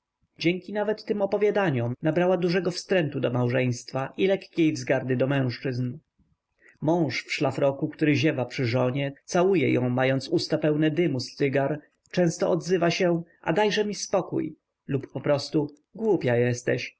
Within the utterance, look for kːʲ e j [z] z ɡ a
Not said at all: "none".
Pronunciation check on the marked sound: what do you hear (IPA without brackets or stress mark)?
v